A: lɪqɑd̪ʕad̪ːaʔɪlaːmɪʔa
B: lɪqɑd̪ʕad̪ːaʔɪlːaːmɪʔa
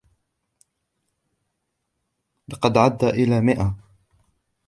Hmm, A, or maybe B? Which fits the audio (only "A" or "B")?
A